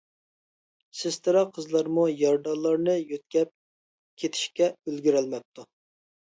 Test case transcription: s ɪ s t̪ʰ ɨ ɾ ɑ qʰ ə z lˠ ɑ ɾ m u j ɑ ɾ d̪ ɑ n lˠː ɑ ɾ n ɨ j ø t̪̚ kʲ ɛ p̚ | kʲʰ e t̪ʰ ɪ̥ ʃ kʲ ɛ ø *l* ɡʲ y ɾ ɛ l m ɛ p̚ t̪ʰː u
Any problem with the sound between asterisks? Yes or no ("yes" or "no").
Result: no